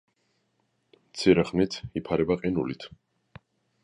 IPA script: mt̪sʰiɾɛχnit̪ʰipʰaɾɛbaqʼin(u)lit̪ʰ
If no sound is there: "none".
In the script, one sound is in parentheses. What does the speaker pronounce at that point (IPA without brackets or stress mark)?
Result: u